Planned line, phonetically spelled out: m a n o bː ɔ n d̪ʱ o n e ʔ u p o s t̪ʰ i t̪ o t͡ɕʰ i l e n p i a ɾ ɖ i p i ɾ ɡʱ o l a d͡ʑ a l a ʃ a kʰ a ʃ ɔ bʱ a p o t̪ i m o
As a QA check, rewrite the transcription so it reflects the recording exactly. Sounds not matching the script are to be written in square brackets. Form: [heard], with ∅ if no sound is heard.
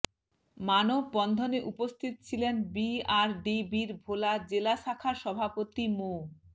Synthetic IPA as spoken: m a n o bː ɔ n d̪ʱ o n e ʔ u p o s t̪ʰ i t̪ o t͡ɕʰ i l e n [b] i a ɾ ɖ i [b] i ɾ [bʱ] o l a d͡ʑ [e] l a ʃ a kʰ a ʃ ɔ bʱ a p o t̪ i m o